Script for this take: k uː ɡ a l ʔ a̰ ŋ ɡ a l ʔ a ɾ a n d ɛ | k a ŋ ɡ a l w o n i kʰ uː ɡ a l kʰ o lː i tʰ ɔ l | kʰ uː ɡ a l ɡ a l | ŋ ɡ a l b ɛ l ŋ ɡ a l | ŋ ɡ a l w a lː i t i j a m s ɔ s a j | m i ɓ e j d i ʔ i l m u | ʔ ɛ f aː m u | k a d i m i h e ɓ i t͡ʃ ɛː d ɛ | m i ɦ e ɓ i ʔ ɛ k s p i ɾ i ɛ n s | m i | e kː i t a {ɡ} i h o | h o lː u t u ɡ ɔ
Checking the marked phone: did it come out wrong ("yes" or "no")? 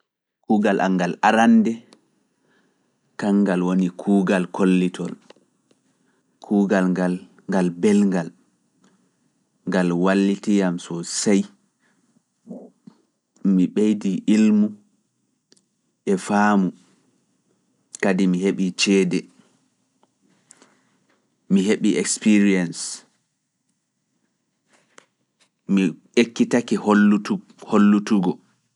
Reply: yes